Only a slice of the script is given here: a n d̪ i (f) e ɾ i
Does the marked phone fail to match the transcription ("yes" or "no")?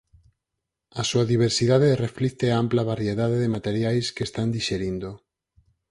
yes